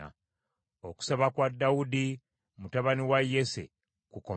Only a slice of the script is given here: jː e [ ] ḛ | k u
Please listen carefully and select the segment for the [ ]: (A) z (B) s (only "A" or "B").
B